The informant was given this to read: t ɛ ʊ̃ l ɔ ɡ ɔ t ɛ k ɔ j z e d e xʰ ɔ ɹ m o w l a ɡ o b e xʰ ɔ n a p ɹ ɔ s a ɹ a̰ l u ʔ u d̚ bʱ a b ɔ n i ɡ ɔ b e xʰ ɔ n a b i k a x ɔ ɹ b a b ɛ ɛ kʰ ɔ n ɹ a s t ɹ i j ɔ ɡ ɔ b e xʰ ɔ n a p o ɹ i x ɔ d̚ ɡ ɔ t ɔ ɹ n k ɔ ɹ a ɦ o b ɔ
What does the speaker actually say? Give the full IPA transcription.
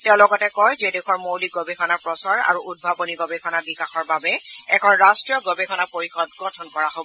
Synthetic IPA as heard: t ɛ ʊ̃ l ɔ ɡ ɔ t ɛ k ɔ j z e d e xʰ ɔ ɹ m o w l i ɡ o b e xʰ ɔ n a p ɹ ɔ s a ɹ a̰ ɹ u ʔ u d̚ bʱ a b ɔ n i ɡ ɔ b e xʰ ɔ n a b i k a x ɔ ɹ b a b ɛ ɛ kʰ ɔ n ɹ a s t ɹ i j ɔ ɡ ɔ b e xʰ ɔ n a p o ɹ i x ɔ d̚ ɡ ɔ tʰ ɔ n k ɔ ɹ a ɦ o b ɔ